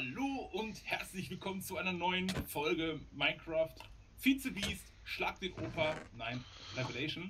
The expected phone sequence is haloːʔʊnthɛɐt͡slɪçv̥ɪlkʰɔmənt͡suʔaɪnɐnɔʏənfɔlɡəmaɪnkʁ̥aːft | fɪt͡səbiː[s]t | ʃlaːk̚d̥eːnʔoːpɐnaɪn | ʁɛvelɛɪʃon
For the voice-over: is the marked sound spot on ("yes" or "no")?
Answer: yes